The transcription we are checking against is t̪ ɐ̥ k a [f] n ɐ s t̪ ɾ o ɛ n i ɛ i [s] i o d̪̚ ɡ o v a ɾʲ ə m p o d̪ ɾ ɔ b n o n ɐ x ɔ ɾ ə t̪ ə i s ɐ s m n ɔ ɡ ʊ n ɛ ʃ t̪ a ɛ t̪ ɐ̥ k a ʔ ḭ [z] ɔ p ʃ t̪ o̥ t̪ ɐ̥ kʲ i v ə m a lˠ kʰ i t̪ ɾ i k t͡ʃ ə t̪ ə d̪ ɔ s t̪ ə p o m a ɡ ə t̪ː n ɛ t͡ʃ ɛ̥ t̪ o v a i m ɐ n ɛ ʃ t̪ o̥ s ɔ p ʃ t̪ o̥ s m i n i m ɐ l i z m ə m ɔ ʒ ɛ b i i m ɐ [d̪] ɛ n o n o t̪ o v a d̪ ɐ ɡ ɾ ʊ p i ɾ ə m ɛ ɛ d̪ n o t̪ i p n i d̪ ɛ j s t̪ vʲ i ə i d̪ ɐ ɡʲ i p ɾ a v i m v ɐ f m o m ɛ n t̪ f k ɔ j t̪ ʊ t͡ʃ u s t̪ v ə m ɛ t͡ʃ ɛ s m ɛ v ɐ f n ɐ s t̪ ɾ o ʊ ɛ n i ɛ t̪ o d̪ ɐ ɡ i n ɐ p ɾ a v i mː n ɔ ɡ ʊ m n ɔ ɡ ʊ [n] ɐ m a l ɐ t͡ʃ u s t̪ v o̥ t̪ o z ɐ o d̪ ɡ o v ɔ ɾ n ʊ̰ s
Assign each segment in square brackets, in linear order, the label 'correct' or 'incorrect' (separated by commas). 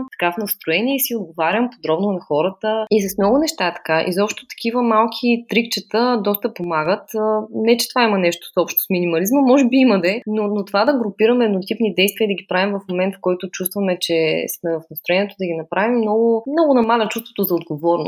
correct, correct, correct, correct, correct